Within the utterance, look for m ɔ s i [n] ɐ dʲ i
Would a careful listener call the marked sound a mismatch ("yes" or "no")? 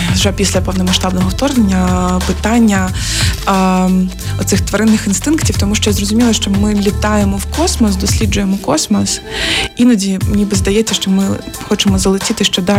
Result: no